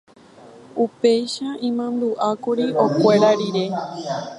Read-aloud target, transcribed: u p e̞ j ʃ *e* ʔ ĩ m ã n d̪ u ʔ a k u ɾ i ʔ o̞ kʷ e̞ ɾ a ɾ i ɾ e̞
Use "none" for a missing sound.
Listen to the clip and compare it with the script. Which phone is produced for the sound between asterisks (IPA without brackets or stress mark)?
a